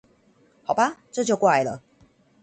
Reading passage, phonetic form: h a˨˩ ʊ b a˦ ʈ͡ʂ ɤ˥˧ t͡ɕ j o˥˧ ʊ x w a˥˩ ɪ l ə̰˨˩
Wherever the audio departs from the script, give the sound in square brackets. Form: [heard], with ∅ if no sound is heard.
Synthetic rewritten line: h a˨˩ ʊ b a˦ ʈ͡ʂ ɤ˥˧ t͡ɕ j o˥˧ ʊ [k] w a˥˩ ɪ l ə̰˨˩